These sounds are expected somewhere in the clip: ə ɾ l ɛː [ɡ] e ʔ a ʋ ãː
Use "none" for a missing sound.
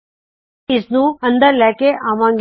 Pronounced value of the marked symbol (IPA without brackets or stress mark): k